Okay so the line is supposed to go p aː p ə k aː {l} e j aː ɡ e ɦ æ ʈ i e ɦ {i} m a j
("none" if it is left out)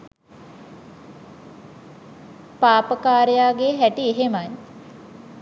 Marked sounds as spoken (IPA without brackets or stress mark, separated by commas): ɾ, e